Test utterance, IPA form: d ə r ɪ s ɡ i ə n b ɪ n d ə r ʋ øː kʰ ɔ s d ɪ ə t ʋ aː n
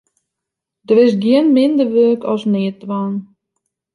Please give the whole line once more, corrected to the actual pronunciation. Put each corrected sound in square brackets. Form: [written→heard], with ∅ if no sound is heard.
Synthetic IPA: d ə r ɪ s ɡ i ə n [b→m] ɪ n d ə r ʋ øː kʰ ɔ s [d→n] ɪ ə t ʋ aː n